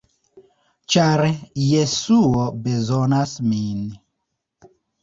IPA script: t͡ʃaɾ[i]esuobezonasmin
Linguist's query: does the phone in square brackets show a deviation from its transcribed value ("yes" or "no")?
yes